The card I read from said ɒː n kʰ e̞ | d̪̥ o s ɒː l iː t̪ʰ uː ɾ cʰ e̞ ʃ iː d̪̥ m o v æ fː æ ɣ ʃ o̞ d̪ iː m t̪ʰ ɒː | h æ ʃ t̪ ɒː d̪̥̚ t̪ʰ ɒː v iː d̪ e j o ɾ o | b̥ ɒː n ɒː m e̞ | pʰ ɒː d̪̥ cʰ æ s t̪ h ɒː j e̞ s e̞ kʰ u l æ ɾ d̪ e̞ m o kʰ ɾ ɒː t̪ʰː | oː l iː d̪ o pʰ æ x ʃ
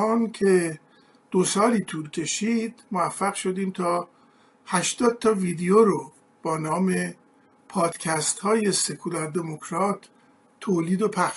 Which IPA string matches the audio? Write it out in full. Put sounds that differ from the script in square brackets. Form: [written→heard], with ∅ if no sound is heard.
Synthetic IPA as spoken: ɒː n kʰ e̞ | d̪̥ o s ɒː l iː t̪ʰ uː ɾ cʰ e̞ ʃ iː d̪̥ m o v æ fː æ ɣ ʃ o̞ d̪ iː m t̪ʰ ɒː | h æ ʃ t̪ ɒː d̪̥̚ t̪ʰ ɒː v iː d̪ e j o ɾ o | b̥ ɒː n ɒː m e̞ | pʰ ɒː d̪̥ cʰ æ s t̪ h ɒː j e̞ s e̞ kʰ u l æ ɾ d̪ e̞ m o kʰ ɾ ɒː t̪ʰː | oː l iː d̪ o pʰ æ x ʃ